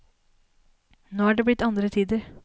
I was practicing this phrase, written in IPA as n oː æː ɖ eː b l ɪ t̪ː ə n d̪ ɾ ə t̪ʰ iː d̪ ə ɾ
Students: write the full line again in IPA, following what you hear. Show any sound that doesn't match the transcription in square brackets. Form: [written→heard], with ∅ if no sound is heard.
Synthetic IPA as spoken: n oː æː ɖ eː b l ɪ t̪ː [ə→ɑ] n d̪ ɾ ə t̪ʰ iː d̪ ə ɾ